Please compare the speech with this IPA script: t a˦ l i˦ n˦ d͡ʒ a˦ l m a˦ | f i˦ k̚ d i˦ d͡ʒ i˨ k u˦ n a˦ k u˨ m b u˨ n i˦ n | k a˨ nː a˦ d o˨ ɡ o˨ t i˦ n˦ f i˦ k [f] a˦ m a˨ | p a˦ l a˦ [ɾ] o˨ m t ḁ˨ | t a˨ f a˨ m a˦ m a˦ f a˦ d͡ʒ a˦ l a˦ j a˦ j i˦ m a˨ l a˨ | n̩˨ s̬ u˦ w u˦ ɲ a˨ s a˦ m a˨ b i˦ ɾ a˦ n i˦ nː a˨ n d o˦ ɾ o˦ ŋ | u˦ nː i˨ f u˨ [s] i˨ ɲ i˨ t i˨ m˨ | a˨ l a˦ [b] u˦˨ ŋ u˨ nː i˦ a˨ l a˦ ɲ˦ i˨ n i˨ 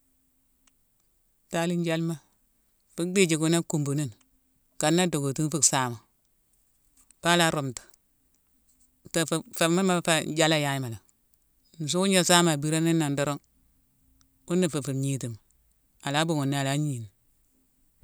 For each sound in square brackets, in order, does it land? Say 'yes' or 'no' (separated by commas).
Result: no, yes, no, yes